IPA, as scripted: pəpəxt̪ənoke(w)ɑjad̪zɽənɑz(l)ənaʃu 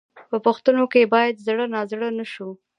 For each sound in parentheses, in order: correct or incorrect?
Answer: incorrect, incorrect

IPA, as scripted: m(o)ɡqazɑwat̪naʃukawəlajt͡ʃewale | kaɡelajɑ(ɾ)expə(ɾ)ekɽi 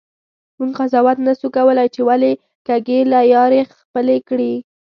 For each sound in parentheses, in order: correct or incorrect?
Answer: incorrect, correct, incorrect

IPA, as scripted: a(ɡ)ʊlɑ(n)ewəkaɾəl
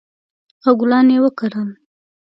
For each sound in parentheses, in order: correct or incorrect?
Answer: correct, correct

